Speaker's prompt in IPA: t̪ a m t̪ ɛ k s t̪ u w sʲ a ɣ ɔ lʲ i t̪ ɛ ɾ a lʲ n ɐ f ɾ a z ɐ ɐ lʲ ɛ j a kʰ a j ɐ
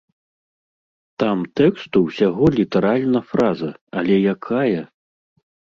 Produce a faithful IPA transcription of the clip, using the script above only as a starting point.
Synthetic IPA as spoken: t̪ a m t̪ ɛ k s t̪ u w sʲ a ɣ ɔ lʲ i t̪ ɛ ɾ a lʲ n ɐ f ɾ a z ɐ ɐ lʲ ɛ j a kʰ a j ɐ